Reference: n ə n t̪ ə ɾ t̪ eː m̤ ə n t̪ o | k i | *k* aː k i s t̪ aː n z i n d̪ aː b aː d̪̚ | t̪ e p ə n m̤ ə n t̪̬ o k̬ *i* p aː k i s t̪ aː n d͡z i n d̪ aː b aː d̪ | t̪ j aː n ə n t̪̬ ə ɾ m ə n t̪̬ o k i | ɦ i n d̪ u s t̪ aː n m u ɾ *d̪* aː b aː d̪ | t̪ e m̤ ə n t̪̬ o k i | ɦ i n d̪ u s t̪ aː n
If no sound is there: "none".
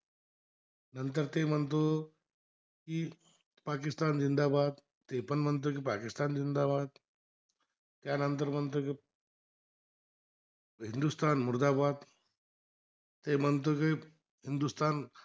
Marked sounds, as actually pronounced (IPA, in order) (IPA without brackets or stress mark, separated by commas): p, i, d̪